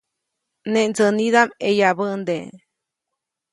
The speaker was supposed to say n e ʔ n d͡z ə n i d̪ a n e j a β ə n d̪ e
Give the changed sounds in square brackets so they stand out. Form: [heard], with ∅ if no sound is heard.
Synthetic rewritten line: n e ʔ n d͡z ə n i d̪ a [m] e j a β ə n d̪ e

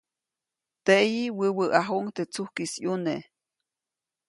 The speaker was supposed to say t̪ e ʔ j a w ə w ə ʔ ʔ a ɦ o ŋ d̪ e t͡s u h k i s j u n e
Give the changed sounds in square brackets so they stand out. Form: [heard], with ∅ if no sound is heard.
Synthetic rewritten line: t̪ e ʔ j [i] w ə w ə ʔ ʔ a ɦ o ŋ [t̪] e t͡s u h k i s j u n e

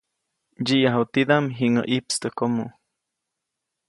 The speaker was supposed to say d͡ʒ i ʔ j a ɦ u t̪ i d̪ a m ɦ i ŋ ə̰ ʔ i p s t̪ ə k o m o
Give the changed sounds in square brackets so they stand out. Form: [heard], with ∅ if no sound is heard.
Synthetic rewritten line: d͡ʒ i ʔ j a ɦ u t̪ i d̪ a m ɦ i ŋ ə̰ ʔ i p s t̪ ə k o m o

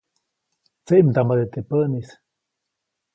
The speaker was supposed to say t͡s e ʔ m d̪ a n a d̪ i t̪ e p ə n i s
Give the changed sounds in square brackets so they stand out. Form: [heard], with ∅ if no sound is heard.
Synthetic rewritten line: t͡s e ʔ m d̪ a [m] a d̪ [e] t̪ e p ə n i s

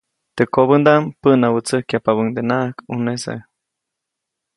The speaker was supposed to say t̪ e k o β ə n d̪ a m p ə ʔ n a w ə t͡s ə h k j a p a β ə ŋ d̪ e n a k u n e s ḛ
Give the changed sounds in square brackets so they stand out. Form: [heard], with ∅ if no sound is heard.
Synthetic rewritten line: t̪ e k o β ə n d̪ a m p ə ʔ n a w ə t͡s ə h k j a p a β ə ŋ d̪ e n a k u n e s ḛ

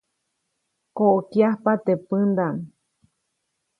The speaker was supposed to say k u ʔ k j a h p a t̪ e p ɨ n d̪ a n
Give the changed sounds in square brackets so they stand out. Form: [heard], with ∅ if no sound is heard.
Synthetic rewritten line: k [o] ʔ k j a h p a t̪ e p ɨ n d̪ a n

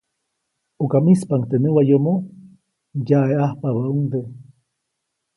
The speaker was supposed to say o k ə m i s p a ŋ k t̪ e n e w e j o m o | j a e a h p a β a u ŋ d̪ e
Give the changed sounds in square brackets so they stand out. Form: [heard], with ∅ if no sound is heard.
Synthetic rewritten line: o k [a] m i s p a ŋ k t̪ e n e w [a] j o m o | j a e a h p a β a u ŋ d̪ e

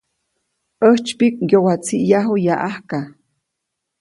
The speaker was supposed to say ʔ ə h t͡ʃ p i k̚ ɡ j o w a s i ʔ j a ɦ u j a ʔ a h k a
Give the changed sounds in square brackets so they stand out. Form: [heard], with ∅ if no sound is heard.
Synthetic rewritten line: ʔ ə h t͡ʃ p i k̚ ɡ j o w a [t͡s] i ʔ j a ɦ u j a ʔ a h k a

